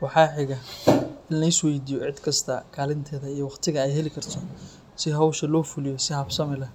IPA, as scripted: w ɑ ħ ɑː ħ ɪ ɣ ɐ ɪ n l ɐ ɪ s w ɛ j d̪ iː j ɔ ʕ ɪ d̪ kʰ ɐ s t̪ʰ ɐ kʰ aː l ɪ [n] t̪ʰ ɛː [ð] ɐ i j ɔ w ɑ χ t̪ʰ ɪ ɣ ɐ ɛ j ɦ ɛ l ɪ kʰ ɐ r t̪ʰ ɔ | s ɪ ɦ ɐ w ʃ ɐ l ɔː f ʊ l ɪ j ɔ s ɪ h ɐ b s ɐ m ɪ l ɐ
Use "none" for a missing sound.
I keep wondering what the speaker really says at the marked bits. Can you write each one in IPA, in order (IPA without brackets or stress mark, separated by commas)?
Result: n, ð